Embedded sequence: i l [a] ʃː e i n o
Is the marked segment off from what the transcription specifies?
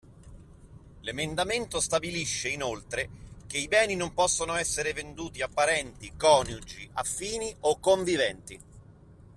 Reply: yes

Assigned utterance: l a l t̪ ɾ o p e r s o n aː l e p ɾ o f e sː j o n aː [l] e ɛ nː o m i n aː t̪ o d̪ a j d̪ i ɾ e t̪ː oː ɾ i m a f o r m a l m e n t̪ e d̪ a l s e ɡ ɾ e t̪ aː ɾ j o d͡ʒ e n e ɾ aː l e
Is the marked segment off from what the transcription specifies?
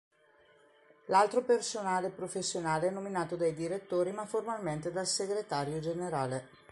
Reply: no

